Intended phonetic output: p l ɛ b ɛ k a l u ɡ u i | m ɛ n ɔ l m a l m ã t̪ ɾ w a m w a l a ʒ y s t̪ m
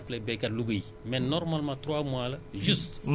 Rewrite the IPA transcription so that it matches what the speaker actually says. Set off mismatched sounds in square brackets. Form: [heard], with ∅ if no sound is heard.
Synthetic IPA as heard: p l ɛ b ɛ k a l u ɡ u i | m ɛ n ɔ [ɾ] m a l m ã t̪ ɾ w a m w a l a ʒ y s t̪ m

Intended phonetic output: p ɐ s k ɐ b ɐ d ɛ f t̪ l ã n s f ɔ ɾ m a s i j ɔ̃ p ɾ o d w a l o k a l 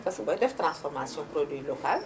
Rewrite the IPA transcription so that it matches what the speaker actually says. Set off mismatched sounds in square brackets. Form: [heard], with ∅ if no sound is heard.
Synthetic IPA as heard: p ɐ s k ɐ b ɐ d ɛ f t̪ [ɾ] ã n s f ɔ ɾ m a s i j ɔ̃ p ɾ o d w [i] l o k a l

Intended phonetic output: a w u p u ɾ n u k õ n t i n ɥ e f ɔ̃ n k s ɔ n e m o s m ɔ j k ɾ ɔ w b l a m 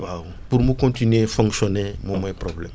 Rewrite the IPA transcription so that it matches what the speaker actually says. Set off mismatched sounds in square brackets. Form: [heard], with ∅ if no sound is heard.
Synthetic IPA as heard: a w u p u ɾ [m] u k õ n t i n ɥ e f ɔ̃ [ŋ] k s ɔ n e m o [∅] m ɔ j [p] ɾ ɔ [∅] b l [ɛ] m

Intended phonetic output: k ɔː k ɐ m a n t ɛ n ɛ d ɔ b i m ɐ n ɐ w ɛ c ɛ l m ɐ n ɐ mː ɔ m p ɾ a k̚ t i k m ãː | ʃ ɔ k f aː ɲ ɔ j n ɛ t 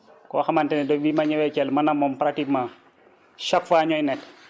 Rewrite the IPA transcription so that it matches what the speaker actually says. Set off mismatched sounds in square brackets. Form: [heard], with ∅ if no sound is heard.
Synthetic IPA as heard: k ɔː [x] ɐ m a n t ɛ n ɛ d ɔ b i m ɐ [ɲ] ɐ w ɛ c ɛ l m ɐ n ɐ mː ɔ m p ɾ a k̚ t i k m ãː | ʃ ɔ k f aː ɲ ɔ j n ɛ t

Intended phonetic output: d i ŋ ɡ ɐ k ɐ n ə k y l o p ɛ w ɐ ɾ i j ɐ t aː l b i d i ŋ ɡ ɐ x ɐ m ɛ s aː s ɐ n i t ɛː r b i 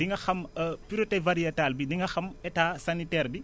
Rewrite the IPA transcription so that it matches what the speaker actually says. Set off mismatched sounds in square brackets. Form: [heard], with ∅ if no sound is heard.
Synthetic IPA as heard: d i ŋ ɡ ɐ [x] ɐ [m] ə [p] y [ɾ] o [t] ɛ [v] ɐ ɾ i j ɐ t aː l b i d i ŋ ɡ ɐ x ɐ m ɛ [t] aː s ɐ n i t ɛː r b i

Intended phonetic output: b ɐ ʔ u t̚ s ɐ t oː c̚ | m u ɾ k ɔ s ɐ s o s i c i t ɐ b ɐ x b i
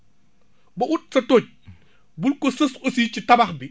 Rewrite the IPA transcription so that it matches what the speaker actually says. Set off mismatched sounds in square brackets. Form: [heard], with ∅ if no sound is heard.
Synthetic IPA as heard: b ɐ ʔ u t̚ s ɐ t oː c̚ | [b] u [l] k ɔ s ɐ s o s i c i t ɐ b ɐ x b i

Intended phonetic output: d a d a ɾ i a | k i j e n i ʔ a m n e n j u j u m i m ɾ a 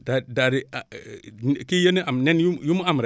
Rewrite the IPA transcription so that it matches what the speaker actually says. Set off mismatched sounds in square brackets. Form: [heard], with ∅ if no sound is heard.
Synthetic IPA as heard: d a d a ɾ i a | k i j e n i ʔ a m n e n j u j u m [a] m ɾ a

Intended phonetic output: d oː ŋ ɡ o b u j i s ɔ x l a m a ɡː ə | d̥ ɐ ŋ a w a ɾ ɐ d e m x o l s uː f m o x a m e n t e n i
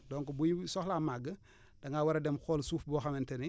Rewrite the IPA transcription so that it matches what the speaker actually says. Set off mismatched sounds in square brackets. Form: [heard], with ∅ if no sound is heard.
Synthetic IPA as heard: d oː ŋ [k] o b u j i s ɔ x l a m a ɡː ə | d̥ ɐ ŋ a w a ɾ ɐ d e m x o l s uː f [b] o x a m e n t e n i

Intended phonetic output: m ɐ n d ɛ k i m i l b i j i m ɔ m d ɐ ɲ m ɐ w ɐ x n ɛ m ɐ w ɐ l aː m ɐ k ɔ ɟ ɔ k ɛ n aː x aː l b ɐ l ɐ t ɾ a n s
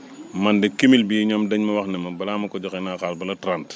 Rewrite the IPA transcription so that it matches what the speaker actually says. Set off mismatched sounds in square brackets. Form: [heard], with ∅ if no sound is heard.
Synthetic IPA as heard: m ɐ n d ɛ k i m i l b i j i [ɲ] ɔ m d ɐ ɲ m ɐ w ɐ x n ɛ m ɐ [b] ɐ l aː m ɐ k ɔ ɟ ɔ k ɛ n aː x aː l b ɐ l ɐ t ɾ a n [t]

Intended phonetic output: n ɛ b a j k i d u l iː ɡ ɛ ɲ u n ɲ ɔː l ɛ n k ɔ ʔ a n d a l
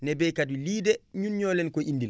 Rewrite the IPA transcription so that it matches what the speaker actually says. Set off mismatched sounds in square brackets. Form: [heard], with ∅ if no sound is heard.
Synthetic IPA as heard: n ɛ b [ɛ] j k [a] d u l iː [d] ɛ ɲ u n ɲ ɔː l ɛ n k ɔ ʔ [i] n d [i] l

